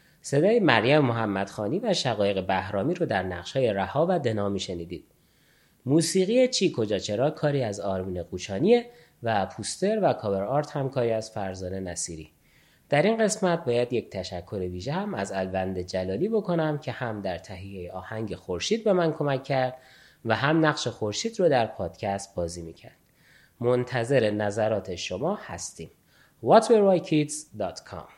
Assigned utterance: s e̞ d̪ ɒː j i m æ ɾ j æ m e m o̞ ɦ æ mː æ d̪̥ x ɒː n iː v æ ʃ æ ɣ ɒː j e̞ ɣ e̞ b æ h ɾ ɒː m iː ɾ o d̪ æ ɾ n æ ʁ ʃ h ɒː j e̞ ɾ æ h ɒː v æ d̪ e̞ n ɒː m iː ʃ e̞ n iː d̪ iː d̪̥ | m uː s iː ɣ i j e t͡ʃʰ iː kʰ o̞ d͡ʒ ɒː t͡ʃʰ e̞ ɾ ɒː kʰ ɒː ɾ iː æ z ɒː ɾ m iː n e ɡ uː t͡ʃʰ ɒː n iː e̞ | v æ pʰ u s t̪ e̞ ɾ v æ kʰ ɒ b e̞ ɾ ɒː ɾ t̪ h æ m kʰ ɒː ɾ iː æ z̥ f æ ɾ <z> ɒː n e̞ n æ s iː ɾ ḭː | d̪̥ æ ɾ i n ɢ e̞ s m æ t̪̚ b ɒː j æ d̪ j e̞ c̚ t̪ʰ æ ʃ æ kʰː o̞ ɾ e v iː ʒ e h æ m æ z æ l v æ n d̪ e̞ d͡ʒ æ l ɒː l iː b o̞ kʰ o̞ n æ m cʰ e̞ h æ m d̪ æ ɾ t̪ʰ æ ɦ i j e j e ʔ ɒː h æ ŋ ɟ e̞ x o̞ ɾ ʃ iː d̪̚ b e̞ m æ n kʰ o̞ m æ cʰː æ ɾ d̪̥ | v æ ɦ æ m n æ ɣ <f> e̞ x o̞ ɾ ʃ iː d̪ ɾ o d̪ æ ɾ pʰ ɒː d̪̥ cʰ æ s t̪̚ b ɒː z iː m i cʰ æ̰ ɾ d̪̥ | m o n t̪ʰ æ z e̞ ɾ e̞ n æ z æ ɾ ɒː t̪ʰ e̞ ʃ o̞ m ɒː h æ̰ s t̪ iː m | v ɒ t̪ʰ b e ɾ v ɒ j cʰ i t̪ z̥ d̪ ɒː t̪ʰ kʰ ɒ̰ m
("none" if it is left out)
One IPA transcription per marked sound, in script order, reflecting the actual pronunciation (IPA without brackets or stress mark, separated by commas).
z, ʃ